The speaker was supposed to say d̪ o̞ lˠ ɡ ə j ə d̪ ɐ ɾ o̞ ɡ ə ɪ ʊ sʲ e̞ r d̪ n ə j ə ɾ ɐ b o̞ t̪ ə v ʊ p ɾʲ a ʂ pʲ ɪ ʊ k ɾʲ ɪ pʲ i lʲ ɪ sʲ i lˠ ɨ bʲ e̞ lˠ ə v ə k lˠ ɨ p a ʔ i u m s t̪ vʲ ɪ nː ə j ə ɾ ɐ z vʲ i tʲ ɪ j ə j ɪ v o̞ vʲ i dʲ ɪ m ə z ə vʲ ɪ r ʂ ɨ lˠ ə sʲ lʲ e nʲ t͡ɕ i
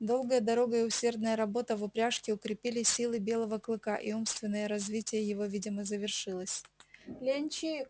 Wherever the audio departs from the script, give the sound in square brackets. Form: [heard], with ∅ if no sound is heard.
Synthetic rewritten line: d̪ o̞ lˠ ɡ ə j ə d̪ ɐ ɾ o̞ ɡ ə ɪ ʊ sʲ e̞ r d̪ n ə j ə ɾ ɐ b o̞ t̪ ə v ʊ p ɾʲ a ʂ [kʲ] ɪ ʊ k ɾʲ ɪ pʲ i lʲ ɪ sʲ i lˠ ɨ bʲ e̞ lˠ ə v ə k lˠ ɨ [k] a ʔ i u m s t̪ vʲ ɪ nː ə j ə ɾ ɐ z vʲ i tʲ ɪ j ə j ɪ v o̞ vʲ i dʲ ɪ m ə z ə vʲ ɪ r ʂ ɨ lˠ ə sʲ lʲ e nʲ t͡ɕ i